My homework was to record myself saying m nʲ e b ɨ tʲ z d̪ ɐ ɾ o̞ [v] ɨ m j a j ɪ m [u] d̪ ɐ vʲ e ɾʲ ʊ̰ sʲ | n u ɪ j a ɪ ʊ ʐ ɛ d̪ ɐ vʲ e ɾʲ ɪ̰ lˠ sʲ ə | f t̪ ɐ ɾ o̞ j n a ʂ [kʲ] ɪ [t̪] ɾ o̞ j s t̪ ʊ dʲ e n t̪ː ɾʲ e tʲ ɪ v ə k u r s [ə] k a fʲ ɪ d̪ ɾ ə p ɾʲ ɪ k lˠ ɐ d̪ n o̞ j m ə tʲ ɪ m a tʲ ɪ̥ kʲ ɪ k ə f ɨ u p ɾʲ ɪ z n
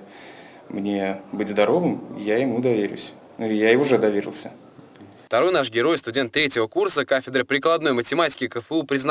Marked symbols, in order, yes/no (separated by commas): yes, yes, no, no, yes